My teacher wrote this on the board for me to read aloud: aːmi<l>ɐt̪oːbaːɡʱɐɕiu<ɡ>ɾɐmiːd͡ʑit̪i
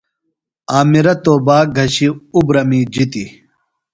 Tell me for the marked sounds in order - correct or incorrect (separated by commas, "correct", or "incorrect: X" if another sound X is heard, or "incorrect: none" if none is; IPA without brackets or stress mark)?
incorrect: ɾ, incorrect: b